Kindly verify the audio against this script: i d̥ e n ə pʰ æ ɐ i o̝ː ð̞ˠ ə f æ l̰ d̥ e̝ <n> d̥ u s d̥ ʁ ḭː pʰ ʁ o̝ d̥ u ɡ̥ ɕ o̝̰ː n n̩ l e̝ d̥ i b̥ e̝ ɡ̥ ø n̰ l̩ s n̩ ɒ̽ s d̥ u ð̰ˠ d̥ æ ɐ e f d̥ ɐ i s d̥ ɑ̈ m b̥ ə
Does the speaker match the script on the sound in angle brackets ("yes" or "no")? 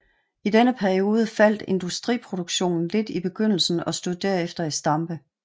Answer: yes